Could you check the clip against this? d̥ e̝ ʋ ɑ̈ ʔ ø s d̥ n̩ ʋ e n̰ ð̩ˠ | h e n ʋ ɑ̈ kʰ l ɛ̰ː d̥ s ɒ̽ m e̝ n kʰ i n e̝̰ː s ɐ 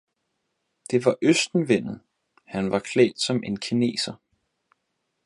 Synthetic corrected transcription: d̥ e̝ ʋ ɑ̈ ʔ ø s d̥ n̩ ʋ e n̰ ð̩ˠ | h æ n ʋ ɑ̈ kʰ l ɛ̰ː d̥ s ɒ̽ m e̝ n kʰ i n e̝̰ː s ɐ